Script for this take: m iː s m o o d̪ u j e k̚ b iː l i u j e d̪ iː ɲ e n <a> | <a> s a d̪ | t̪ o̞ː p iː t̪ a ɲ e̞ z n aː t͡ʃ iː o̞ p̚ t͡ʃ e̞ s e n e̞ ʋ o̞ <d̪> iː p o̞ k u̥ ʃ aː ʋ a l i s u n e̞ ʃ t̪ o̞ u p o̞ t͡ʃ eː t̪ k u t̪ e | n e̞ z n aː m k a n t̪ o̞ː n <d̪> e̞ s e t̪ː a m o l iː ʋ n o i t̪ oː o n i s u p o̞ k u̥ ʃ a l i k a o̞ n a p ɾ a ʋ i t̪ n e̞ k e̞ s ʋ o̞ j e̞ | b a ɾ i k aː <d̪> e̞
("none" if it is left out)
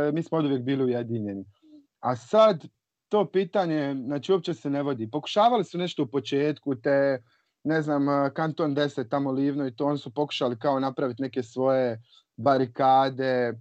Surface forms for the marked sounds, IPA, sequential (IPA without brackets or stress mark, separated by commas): i, a, d̪, d̪, d̪